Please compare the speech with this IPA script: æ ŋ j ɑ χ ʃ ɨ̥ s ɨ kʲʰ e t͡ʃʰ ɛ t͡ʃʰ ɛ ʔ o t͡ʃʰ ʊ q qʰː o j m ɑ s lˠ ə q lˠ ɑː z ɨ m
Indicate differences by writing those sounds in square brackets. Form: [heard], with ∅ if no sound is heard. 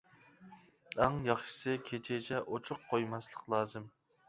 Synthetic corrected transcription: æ ŋ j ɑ χ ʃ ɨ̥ s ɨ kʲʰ e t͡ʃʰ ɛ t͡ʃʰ ɛ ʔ o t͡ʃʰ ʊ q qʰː o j m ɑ s lˠ ə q lˠ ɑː z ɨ m

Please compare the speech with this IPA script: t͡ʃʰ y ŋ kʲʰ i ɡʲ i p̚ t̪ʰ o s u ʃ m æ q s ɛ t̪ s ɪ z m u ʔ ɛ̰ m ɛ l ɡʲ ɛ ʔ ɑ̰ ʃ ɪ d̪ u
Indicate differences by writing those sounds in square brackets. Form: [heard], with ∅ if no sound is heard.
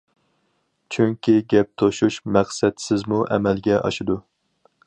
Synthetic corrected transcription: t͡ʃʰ y ŋ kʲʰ i ɡʲ [ɛ] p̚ t̪ʰ o [ʃ] u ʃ m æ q s ɛ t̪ s ɪ z m u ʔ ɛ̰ m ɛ l ɡʲ ɛ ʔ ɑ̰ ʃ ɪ d̪ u

